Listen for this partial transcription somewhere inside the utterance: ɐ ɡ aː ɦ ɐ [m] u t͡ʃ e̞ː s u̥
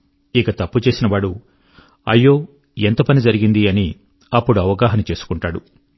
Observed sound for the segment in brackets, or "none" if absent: n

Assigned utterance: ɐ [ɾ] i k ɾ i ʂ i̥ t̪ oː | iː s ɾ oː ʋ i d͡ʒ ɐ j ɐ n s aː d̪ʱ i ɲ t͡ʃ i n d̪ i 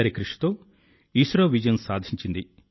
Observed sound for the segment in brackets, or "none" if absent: ɾ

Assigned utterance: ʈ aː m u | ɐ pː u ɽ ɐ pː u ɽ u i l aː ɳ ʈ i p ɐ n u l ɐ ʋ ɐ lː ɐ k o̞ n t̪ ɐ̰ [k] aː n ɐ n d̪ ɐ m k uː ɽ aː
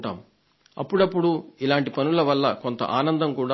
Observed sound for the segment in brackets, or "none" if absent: ʔ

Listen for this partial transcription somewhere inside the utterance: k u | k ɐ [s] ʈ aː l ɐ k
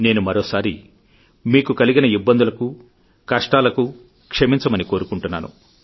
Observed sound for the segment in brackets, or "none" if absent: ʂ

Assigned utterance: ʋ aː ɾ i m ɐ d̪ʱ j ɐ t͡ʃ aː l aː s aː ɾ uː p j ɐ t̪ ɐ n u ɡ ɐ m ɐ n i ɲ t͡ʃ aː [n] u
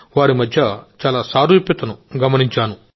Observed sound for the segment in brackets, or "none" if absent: n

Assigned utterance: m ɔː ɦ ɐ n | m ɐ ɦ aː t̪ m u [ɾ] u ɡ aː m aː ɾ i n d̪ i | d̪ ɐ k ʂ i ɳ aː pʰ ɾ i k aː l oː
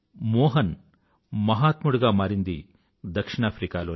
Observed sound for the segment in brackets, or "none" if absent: ɽ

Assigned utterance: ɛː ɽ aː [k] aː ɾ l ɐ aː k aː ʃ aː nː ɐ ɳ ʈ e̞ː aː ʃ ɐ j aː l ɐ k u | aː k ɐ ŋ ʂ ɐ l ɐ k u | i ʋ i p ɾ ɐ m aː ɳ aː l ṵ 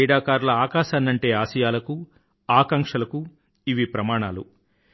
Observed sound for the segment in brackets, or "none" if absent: k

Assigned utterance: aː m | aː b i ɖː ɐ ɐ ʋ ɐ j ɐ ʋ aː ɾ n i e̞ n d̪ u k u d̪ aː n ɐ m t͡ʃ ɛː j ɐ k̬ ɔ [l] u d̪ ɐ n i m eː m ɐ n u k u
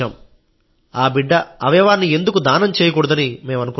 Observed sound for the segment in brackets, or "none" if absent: ɽ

